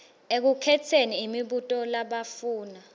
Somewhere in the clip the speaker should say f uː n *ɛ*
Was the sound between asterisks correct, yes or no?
no